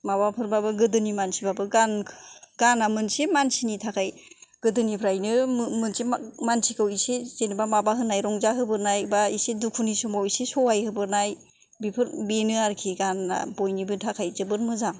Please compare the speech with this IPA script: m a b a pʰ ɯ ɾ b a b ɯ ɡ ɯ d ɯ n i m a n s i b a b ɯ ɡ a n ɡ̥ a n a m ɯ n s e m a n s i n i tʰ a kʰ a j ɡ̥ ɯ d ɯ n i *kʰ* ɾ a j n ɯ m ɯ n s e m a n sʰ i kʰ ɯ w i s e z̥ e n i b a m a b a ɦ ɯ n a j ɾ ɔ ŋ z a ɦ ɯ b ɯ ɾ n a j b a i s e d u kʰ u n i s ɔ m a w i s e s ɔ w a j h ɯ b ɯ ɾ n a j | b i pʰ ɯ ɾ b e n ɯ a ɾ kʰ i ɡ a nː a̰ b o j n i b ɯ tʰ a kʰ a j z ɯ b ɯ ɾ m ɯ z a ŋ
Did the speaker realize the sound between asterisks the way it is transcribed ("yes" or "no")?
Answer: no